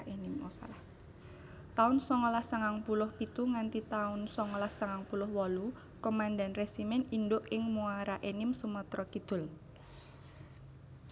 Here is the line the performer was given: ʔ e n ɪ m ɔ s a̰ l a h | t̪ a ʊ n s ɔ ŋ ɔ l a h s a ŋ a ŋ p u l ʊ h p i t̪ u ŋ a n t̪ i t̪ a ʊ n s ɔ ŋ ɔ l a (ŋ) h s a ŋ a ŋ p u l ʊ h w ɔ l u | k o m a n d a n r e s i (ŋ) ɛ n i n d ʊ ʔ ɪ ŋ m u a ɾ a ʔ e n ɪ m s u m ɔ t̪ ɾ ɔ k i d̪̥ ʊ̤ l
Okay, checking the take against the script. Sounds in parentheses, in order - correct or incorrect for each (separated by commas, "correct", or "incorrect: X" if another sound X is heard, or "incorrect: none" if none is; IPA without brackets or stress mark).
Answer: incorrect: none, incorrect: m